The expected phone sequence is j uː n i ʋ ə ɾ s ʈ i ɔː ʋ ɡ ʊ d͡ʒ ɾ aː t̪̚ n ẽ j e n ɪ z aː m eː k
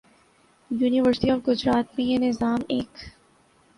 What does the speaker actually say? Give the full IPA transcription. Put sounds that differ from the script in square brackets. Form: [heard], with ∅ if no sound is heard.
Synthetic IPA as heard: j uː n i ʋ ə ɾ s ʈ i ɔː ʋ ɡ ʊ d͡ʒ ɾ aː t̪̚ [m] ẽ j e n ɪ z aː m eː k